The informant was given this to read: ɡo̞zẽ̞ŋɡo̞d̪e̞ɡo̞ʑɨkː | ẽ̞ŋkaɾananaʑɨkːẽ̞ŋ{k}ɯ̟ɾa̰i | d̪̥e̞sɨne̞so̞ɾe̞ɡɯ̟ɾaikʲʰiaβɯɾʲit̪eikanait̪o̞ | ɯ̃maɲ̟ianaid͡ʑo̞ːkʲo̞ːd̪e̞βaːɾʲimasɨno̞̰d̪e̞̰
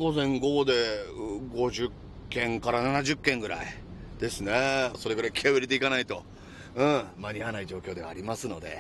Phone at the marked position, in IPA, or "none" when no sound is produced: ɡ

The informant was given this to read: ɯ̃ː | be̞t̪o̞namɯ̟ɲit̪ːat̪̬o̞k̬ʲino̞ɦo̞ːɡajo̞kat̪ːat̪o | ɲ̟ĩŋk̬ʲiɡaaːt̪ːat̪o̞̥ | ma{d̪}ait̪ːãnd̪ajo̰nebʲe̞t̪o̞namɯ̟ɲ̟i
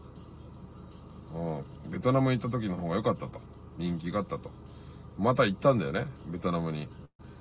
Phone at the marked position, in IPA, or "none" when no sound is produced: t̪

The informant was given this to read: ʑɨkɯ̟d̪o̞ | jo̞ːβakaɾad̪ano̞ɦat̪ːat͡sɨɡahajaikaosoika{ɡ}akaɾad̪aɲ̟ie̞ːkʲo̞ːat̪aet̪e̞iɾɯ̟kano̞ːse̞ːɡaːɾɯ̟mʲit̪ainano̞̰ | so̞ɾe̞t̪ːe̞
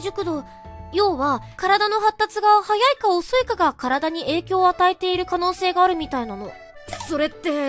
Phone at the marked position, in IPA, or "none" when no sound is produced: ɡ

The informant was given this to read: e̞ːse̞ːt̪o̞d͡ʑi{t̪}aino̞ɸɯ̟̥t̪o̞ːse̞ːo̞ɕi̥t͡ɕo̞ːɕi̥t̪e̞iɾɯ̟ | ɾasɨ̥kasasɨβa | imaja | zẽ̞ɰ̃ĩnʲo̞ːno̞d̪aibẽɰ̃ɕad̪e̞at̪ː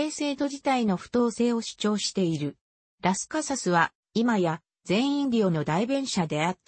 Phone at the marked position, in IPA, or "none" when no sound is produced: t̪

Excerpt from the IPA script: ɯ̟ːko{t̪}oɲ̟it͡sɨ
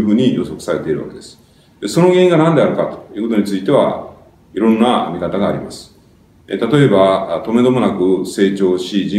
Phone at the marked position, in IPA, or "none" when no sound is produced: t̪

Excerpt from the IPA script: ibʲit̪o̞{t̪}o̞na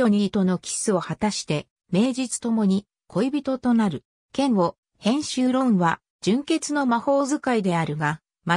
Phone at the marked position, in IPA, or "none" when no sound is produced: t̪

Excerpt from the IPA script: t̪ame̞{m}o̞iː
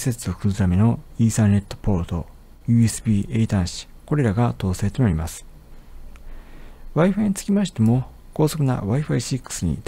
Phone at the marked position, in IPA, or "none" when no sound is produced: n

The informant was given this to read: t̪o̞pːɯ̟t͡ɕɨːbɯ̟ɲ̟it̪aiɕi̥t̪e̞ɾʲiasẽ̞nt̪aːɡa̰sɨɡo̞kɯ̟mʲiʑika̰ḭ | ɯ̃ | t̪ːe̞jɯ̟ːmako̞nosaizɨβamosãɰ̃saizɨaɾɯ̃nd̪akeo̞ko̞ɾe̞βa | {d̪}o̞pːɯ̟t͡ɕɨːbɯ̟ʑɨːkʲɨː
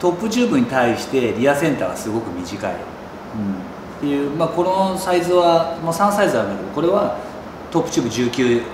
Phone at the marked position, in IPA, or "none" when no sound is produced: t̪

